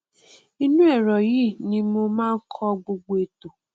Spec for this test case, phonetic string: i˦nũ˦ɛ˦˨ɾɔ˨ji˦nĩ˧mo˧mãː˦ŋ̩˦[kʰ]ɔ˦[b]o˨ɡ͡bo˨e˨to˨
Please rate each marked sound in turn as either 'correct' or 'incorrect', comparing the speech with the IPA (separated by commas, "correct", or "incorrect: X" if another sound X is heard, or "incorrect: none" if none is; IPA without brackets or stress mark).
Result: correct, incorrect: ɡ͡b